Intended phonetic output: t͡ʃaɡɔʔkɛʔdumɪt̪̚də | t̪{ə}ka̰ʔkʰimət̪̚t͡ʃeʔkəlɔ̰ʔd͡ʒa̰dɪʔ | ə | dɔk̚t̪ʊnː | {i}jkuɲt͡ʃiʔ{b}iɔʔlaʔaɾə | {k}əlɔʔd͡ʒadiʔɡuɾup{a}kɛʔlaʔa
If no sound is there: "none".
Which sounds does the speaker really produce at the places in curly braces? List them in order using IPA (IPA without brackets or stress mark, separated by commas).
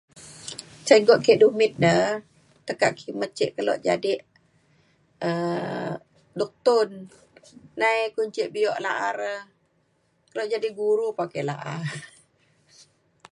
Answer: ə, a, b, k, a